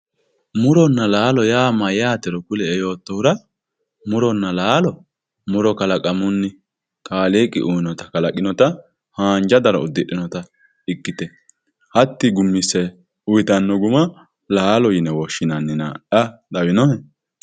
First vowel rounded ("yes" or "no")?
yes